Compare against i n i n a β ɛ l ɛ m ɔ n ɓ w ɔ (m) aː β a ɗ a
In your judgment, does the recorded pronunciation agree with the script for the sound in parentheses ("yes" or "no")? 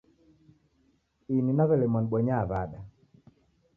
no